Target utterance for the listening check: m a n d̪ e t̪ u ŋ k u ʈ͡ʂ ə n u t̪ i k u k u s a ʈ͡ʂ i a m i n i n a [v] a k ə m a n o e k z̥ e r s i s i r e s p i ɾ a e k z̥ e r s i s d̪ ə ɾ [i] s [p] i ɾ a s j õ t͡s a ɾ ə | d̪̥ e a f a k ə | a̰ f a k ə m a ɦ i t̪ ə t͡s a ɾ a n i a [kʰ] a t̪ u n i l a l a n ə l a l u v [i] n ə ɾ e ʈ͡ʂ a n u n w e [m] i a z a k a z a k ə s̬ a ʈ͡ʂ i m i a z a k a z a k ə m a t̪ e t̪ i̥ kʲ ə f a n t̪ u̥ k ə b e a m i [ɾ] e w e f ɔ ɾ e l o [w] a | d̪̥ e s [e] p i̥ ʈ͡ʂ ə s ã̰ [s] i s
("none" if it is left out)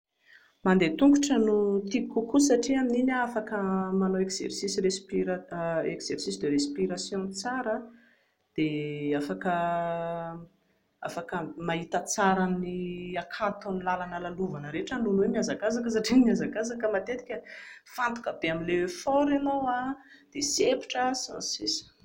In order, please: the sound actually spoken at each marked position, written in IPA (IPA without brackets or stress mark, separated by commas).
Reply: f, e, p, kʰ, a, m, l, w, e, s